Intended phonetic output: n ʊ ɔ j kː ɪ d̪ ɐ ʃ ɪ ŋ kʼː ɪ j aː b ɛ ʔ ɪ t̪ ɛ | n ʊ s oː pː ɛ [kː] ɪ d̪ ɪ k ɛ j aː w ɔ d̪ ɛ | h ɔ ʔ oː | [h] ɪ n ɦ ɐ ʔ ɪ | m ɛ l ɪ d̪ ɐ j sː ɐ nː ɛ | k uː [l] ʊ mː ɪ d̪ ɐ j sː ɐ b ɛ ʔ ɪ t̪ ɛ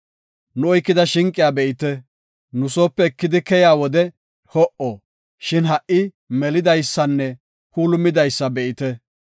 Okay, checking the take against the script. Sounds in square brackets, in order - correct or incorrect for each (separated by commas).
correct, incorrect, correct